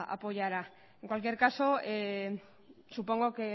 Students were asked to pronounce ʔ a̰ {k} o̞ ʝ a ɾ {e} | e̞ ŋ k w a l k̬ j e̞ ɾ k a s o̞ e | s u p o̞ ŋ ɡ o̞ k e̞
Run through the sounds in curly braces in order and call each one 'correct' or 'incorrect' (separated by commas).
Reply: incorrect, incorrect